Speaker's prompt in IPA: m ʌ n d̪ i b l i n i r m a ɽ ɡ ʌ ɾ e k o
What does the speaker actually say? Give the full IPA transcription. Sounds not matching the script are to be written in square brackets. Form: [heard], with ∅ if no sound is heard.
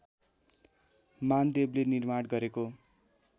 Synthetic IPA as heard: m [a] n d̪ [e] b l [e] n i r m a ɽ ɡ ʌ ɾ e k o